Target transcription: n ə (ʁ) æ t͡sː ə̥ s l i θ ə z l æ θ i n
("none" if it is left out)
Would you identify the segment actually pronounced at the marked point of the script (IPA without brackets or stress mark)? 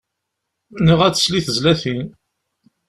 ʁ